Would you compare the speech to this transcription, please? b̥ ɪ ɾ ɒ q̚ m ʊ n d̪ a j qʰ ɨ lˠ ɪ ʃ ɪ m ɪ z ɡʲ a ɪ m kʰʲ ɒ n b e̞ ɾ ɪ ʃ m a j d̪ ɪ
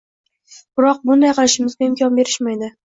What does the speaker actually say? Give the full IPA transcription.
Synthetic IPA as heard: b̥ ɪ ɾ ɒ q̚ b ʊ n d̪ a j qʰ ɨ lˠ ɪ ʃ ɪ m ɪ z ɡʲ a ɪ m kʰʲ ɒ n b e̞ ɾ ɪ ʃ m a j d̪ ɪ